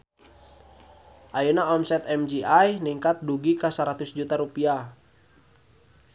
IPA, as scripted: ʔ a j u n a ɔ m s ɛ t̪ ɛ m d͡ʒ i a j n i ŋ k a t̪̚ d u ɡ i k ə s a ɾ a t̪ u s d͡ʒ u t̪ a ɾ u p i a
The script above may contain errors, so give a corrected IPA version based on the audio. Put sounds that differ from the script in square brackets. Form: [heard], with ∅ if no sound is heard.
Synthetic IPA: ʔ a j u n a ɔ m s ɛ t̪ ɛ m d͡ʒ i a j n i ŋ k a t̪̚ d u ɡ i k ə s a ɾ a t̪ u s d͡ʒ u t̪ a ɾ u p i a